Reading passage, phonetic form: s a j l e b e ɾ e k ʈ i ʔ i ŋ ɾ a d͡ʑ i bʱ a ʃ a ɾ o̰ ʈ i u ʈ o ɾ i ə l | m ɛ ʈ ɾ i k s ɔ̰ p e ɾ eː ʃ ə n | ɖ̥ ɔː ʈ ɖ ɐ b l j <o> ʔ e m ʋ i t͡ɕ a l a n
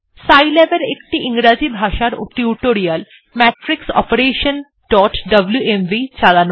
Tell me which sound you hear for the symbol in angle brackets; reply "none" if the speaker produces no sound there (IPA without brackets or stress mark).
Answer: u